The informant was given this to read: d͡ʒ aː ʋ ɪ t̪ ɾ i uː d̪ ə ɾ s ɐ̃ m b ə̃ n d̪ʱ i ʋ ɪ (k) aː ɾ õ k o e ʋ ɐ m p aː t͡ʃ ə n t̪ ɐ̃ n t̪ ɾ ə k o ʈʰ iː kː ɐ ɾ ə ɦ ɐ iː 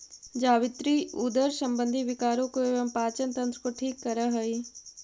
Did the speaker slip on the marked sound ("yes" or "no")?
no